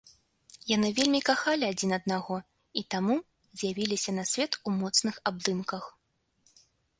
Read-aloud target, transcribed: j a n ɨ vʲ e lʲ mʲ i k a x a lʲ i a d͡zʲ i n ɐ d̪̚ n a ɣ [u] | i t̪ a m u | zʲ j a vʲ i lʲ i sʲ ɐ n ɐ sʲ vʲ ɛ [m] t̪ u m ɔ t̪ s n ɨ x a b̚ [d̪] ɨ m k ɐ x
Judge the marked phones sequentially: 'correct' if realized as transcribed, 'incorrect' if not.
incorrect: ɔ, incorrect: none, correct

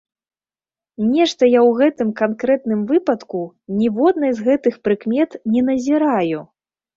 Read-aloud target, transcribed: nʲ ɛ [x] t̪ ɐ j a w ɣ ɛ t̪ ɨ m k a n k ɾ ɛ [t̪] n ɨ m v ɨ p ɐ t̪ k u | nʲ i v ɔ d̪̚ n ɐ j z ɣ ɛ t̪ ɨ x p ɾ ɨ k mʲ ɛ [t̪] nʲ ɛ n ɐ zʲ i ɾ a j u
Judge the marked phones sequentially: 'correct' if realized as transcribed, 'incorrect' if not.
incorrect: ʂ, correct, correct

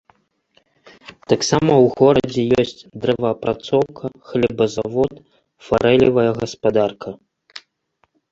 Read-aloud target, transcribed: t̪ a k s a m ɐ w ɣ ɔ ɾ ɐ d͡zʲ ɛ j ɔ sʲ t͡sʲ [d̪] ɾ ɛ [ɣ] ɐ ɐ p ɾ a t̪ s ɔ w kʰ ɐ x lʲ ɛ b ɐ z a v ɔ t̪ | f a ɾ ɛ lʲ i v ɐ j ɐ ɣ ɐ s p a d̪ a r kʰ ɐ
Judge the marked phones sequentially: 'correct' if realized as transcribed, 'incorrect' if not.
correct, incorrect: v

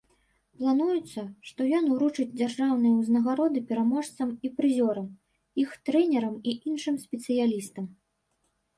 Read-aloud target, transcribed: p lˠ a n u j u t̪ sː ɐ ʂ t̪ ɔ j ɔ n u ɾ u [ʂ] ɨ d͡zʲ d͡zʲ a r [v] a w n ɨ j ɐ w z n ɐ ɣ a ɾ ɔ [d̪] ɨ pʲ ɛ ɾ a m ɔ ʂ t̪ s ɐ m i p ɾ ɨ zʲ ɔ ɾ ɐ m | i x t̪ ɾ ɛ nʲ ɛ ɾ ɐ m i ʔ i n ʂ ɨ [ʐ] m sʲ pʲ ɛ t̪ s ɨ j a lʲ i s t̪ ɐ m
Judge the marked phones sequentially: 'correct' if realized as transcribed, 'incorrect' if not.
incorrect: t͡ʂ, incorrect: ʐ, correct, incorrect: none

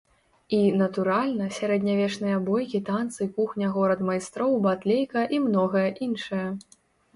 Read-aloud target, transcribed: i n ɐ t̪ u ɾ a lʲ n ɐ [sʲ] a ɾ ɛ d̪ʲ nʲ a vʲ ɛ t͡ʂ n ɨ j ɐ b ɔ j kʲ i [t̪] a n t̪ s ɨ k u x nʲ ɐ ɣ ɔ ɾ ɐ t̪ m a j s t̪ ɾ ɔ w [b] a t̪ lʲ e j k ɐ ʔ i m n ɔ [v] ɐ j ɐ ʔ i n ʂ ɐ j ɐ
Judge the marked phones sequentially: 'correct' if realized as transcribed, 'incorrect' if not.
correct, correct, correct, incorrect: ɣ

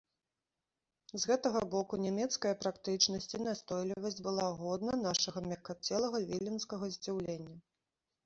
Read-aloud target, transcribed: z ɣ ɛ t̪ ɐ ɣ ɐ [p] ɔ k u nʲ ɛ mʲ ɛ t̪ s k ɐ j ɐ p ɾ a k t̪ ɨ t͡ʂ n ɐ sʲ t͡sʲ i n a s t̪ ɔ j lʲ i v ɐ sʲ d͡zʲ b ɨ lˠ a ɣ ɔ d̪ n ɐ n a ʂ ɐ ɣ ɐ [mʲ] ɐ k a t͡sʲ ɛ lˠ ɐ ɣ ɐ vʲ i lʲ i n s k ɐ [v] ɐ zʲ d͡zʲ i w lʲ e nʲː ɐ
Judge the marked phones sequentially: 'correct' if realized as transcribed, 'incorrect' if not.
incorrect: b, correct, incorrect: ɣ

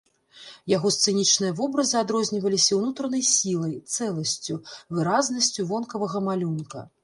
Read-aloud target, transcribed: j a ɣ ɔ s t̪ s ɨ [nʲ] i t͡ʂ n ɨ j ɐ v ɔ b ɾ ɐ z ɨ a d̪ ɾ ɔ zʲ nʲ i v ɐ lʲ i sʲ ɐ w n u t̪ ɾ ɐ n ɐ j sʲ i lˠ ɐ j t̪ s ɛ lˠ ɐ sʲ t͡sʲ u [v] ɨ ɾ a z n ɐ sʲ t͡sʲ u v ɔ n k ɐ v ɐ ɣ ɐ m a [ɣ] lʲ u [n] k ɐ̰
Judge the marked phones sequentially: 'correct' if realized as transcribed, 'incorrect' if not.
correct, correct, incorrect: none, correct

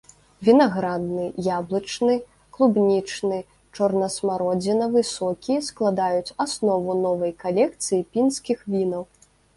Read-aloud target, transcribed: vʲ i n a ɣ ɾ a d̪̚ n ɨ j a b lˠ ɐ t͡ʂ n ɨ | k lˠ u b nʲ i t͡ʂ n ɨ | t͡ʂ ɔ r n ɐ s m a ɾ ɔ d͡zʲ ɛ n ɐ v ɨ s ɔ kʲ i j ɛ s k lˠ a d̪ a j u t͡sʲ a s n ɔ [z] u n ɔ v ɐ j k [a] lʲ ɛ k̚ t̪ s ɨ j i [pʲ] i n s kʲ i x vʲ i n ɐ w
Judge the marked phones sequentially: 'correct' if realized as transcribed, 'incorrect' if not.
incorrect: v, correct, correct

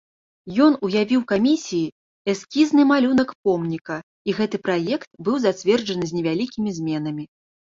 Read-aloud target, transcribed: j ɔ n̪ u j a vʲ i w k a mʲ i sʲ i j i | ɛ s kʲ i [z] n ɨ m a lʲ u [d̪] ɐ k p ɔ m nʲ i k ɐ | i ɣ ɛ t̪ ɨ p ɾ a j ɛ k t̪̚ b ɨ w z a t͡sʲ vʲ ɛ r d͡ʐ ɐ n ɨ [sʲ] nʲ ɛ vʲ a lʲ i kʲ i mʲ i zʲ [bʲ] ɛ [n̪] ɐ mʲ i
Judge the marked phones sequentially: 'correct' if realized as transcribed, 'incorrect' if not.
correct, incorrect: n̪, incorrect: zʲ, incorrect: mʲ, correct

